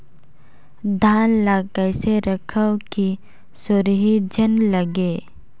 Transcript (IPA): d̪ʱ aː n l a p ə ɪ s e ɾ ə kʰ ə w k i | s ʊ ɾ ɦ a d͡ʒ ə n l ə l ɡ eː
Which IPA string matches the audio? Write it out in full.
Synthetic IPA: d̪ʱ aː n l a k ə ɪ s e ɾ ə kʰ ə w k i | s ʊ ɾ ɦ i d͡ʒ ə n l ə ɡ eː